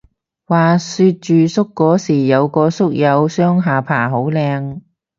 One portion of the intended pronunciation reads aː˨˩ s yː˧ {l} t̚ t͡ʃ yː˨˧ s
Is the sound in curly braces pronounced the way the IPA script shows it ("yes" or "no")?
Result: no